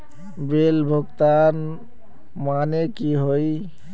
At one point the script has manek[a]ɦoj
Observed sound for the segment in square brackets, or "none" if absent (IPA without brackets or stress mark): i